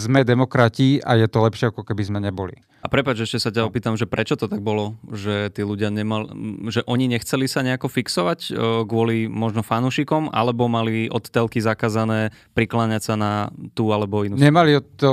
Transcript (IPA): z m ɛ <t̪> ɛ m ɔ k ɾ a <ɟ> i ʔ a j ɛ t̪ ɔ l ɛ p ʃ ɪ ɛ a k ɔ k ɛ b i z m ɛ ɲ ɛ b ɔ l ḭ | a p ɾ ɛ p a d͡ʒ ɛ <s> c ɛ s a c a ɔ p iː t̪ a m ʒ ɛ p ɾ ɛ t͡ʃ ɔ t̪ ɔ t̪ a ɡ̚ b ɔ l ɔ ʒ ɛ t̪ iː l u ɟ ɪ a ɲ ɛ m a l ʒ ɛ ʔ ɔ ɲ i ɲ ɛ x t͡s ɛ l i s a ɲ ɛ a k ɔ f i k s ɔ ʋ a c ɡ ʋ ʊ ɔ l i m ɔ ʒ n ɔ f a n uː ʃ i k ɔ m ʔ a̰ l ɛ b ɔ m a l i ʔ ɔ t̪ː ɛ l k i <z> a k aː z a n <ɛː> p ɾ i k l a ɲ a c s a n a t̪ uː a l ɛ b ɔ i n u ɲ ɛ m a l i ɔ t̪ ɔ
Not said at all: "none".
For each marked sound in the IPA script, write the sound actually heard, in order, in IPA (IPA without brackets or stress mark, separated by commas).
d̪, c, ʃ, z, ɛː